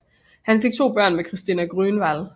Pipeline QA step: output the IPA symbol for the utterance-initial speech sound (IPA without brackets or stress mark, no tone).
h